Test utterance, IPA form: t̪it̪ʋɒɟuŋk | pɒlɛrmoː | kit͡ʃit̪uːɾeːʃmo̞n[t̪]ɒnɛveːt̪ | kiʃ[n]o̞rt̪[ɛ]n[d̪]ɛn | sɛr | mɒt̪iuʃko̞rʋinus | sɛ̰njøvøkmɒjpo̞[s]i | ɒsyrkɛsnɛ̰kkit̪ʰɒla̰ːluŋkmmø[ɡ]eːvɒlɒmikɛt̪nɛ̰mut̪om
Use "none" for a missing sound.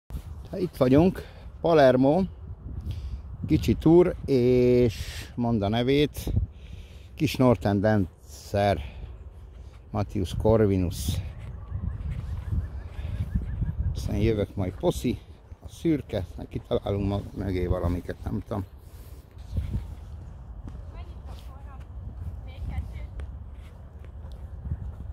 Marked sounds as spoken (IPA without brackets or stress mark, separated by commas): d̪, n, ɛ, d̪, s, ɡ